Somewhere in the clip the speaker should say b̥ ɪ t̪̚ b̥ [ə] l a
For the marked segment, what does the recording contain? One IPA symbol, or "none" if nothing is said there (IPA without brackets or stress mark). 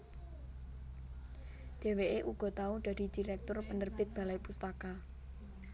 a